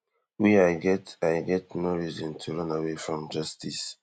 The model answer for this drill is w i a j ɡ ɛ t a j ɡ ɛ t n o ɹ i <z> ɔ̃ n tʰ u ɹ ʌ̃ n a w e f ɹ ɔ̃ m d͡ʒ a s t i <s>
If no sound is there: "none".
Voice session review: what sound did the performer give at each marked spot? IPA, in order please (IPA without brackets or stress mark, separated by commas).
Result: z, s